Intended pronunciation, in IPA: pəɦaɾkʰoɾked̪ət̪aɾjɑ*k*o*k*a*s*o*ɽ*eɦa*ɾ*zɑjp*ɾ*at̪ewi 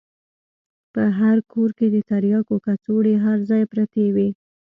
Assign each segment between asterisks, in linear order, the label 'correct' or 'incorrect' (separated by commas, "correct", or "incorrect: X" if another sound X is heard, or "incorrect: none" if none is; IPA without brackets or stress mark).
correct, correct, incorrect: t͡s, correct, correct, correct